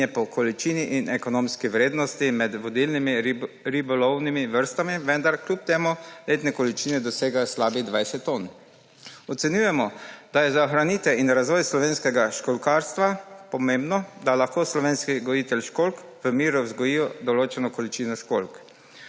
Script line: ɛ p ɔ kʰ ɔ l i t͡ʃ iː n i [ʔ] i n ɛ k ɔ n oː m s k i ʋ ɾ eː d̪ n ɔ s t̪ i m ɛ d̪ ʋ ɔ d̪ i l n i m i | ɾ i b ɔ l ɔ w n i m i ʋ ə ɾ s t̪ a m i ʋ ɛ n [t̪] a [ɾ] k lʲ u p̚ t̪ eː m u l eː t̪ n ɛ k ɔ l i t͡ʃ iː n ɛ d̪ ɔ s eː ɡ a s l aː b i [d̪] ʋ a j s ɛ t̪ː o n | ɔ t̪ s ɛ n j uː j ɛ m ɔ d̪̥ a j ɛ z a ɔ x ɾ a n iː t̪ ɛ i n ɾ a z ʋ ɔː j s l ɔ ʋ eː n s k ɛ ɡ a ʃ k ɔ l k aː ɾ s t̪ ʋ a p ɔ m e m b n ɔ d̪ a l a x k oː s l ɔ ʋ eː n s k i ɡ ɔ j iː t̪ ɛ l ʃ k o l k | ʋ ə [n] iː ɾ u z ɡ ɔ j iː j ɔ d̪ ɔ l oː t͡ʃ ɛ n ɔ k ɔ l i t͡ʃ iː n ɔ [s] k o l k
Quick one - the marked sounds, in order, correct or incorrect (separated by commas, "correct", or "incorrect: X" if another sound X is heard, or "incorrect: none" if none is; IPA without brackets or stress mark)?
correct, incorrect: d̪, correct, correct, incorrect: m, incorrect: ʃ